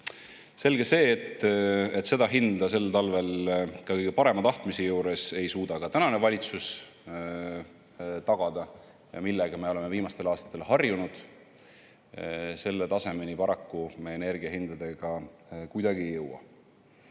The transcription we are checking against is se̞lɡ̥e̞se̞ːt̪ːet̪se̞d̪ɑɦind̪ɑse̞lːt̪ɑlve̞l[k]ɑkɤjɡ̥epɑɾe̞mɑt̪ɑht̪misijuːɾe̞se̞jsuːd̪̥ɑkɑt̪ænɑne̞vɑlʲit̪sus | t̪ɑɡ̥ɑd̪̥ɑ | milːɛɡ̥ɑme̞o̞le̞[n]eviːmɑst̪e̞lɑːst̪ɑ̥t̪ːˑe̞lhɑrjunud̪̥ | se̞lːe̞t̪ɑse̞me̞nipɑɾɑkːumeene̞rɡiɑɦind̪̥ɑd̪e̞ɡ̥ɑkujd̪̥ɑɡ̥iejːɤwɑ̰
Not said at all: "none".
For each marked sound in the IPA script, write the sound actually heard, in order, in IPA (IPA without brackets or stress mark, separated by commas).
k, m